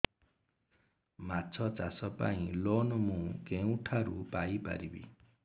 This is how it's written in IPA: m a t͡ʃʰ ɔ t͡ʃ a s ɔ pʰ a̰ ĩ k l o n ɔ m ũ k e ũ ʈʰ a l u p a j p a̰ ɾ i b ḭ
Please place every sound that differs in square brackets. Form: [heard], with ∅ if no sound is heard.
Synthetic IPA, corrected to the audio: m a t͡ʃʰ ɔ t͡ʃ a s ɔ [p] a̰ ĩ [∅] l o n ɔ m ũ k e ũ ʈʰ a [ɾ] u p a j p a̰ ɾ i b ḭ